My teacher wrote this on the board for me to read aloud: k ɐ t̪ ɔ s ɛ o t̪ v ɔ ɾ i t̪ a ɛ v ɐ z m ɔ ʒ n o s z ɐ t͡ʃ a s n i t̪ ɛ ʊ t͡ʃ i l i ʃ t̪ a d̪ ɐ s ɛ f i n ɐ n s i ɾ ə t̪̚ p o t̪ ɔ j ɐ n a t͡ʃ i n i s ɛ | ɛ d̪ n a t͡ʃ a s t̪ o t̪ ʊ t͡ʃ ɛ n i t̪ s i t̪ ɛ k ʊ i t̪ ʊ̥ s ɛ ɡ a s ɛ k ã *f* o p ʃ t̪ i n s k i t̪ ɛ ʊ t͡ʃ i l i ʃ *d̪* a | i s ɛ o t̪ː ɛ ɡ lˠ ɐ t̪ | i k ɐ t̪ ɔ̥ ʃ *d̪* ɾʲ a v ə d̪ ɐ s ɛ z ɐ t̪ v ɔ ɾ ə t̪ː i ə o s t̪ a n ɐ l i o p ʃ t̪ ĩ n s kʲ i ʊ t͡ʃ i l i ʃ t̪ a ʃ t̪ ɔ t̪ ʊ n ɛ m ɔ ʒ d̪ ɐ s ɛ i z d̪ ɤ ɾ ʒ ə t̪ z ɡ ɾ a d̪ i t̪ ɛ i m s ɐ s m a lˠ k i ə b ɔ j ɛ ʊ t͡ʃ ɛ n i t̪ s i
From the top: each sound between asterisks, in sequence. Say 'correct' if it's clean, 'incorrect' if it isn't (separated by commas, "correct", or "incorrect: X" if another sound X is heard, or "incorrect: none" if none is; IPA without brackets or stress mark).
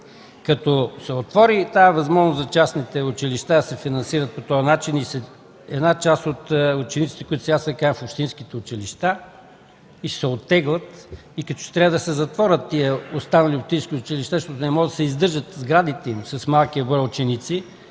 correct, incorrect: t̪, incorrect: t̪